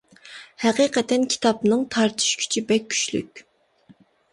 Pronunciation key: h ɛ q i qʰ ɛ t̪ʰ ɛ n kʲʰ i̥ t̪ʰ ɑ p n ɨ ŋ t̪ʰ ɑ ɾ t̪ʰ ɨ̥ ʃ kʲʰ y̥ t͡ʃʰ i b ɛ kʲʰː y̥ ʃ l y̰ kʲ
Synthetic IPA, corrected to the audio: h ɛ q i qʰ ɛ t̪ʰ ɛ n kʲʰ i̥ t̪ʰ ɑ p n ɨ ŋ t̪ʰ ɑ ɾ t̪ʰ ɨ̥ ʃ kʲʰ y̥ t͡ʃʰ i b ɛ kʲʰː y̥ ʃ l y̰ kʲ